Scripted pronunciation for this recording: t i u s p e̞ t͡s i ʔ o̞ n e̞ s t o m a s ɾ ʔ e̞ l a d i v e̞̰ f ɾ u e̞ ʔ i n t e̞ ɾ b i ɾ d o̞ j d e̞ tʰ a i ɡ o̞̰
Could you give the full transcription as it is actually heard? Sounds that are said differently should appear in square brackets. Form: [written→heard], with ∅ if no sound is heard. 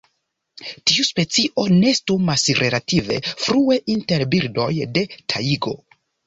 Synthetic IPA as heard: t i u s p e̞ t͡s i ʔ o̞ n e̞ s t [o→u] m a s ɾ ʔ e̞ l a [d→t] i v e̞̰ f ɾ u e̞ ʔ i n t e̞ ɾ b i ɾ d o̞ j d e̞ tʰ a i ɡ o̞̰